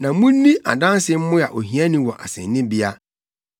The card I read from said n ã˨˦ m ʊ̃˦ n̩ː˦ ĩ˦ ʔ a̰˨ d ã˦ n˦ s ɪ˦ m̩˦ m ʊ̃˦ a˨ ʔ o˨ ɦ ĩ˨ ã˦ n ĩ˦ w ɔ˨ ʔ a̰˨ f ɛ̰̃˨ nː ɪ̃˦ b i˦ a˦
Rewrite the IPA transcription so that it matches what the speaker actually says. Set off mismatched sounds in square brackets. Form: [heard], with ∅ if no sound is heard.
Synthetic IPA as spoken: n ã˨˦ m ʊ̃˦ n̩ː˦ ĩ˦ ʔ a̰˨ d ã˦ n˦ s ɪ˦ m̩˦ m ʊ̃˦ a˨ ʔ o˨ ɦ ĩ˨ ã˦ n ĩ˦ w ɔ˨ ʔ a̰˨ [s] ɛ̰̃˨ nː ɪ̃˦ b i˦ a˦